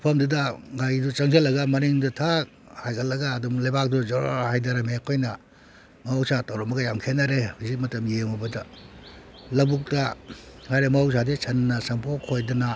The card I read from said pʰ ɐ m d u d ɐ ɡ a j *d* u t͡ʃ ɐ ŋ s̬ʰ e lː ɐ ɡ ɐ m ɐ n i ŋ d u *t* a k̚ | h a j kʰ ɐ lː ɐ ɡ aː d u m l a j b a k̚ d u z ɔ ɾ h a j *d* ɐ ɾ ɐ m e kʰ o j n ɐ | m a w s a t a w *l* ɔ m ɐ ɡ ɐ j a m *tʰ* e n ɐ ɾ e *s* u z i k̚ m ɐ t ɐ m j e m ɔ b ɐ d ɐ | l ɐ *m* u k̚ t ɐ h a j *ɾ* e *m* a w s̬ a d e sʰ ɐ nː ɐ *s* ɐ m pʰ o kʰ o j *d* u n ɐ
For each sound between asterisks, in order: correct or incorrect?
correct, incorrect, correct, incorrect, incorrect, incorrect, incorrect, correct, correct, correct, correct

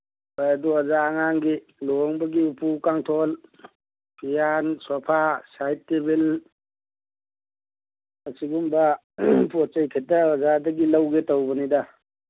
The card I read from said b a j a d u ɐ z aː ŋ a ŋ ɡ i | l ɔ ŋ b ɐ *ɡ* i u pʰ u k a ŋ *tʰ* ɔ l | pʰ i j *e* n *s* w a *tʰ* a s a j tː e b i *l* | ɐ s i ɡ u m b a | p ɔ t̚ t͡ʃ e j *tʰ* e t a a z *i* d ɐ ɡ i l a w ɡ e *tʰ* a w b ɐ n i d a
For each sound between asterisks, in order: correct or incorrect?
correct, correct, incorrect, correct, incorrect, correct, incorrect, incorrect, incorrect

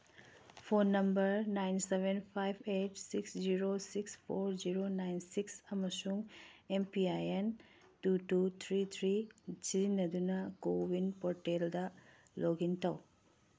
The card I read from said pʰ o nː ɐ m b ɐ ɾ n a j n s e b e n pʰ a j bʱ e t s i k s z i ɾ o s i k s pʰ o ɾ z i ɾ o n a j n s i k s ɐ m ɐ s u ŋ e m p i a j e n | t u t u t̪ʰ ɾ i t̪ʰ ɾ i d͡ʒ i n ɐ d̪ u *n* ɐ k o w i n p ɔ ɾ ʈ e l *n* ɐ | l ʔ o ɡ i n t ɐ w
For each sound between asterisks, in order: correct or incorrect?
correct, incorrect

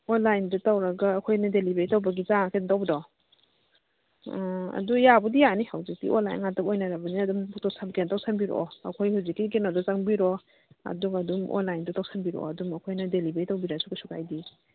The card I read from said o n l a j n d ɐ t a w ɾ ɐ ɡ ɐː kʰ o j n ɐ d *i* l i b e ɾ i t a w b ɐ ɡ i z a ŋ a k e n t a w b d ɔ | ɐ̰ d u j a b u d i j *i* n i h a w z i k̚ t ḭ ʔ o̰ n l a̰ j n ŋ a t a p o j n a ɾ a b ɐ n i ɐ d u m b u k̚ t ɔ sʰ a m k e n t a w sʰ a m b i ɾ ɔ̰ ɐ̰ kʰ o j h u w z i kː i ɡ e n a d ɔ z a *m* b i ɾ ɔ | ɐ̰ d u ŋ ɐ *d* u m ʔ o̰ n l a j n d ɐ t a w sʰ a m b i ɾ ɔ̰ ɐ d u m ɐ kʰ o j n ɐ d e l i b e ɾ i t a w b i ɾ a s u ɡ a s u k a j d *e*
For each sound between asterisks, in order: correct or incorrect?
incorrect, incorrect, incorrect, correct, incorrect

